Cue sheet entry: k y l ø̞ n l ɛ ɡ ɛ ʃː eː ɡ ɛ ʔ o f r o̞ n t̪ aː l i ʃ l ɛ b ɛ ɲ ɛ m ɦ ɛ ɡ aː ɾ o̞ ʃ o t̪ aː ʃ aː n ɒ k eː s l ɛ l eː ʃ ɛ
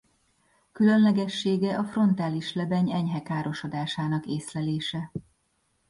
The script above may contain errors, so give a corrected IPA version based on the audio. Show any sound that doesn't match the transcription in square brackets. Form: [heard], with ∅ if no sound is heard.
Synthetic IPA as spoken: k y l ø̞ n l ɛ ɡ ɛ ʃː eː ɡ ɛ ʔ [ɒ] f r o̞ n t̪ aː l i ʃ l ɛ b ɛ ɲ ɛ [ɲ] ɦ ɛ [k] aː ɾ o̞ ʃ o [d̪] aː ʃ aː n ɒ k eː s l ɛ l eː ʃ ɛ